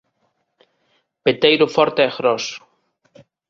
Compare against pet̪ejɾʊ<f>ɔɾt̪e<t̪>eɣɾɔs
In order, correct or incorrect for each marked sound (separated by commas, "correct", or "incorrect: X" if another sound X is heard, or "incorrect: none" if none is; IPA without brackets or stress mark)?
correct, incorrect: none